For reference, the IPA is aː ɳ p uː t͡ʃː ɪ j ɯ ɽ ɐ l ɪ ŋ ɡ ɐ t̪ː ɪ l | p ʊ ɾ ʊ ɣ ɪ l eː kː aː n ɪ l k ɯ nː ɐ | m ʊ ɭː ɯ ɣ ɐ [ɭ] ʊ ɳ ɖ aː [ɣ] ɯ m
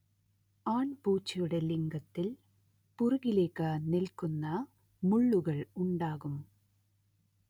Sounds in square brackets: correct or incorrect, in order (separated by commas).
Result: correct, correct